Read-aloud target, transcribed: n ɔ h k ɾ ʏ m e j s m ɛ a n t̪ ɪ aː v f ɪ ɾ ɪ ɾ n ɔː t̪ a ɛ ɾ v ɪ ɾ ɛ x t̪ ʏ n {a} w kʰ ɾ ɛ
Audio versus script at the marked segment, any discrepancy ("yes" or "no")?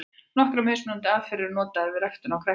no